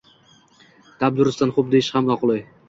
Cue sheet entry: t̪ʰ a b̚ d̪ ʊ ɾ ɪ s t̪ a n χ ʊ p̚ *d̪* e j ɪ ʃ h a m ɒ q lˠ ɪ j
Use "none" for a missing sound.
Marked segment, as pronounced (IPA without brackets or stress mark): d̪